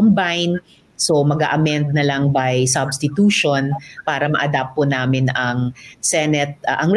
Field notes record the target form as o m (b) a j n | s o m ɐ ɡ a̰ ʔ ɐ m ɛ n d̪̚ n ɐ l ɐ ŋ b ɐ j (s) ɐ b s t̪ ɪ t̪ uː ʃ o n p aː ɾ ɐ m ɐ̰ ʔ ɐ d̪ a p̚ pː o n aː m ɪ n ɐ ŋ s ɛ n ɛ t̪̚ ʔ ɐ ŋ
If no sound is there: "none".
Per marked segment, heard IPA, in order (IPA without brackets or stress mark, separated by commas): b, s